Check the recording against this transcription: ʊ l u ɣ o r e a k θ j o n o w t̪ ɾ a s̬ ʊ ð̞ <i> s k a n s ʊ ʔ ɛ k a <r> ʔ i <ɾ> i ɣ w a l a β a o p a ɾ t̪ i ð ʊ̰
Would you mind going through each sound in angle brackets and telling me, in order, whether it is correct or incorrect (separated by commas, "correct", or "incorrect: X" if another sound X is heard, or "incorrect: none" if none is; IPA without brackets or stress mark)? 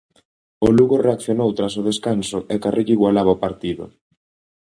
incorrect: e, correct, incorrect: ʎ